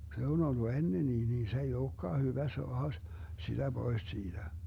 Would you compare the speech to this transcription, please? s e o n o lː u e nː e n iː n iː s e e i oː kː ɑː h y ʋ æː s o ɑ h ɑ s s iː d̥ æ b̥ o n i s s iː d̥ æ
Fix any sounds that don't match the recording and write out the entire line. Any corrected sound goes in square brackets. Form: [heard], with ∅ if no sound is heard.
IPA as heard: s e o n o lː u e nː e n iː n iː s e e i oː kː ɑː h y ʋ [æ] s o ɑ h ɑ s s [i] d̥ æ b̥ o [∅] i s s iː d̥ æ